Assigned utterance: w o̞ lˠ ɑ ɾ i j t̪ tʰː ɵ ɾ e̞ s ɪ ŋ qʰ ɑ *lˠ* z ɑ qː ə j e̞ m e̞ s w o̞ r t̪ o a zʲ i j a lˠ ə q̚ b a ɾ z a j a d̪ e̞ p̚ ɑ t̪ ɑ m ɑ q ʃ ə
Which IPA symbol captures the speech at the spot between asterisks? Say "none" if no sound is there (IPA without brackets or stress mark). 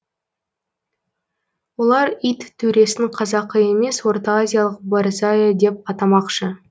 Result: none